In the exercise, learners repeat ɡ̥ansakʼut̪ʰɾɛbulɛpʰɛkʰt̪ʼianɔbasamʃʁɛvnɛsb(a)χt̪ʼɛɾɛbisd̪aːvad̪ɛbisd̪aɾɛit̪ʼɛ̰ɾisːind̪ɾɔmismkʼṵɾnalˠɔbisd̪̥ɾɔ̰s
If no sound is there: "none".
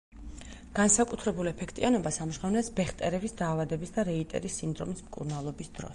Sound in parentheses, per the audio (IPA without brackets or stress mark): ɛ